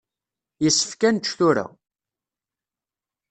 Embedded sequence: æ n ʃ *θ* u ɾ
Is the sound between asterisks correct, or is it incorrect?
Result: correct